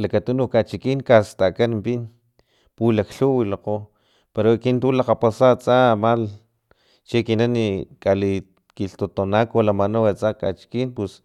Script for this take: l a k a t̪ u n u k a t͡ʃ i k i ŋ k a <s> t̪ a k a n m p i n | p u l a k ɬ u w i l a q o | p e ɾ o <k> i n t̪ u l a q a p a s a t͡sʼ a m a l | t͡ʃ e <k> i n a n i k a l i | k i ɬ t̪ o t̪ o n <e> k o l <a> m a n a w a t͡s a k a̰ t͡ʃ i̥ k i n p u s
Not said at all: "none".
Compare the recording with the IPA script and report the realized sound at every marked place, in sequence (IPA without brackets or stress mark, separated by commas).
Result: s, k, k, a, a